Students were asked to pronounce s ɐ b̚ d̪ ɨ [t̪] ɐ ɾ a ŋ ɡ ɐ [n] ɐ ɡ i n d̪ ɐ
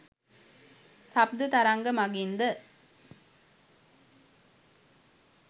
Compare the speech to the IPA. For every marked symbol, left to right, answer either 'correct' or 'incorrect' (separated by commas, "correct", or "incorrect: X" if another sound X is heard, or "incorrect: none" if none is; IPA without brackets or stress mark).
correct, incorrect: m